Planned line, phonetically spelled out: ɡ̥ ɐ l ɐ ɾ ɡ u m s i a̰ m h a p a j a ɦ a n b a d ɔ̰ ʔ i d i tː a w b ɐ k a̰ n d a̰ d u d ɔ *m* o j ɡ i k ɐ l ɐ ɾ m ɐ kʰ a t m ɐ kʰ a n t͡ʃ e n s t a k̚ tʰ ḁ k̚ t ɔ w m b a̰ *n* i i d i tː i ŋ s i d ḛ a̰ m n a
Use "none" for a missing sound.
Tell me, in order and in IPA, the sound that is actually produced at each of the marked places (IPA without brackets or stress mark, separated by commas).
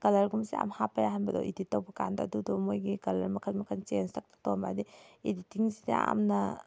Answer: m, d